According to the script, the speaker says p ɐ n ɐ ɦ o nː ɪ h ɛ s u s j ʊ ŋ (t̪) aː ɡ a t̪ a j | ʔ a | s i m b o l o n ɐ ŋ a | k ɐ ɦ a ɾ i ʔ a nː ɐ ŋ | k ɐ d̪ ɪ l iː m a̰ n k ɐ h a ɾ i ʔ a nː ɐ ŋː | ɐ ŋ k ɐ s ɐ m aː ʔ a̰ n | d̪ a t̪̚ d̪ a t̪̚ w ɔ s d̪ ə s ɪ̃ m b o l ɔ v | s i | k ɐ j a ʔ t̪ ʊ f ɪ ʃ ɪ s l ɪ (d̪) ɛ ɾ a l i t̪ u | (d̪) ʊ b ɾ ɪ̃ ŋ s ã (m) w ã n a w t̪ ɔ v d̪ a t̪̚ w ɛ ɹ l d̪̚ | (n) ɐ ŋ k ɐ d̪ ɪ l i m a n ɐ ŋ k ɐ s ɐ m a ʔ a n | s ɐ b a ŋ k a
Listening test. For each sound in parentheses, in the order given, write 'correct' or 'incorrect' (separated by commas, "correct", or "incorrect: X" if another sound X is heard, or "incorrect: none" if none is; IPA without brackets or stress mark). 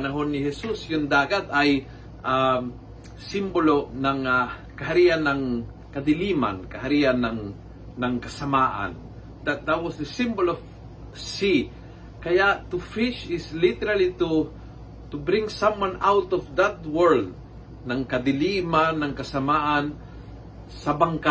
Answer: incorrect: d̪, incorrect: t̪, incorrect: t̪, correct, correct